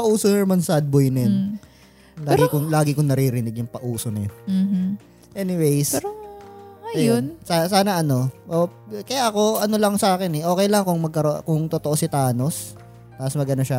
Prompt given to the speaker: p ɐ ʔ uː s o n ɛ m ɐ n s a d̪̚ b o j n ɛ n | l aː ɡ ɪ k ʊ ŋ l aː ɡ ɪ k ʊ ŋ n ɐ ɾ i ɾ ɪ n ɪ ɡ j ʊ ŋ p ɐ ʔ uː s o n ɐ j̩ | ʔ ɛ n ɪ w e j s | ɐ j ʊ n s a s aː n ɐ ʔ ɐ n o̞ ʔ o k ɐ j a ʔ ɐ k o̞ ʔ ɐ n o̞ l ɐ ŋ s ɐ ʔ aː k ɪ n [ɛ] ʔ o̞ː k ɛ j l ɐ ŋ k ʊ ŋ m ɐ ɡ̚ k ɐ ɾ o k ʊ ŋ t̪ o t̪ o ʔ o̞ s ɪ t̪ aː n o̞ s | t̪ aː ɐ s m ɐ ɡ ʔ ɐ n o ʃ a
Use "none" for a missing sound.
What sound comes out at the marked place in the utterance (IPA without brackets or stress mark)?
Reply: ɛ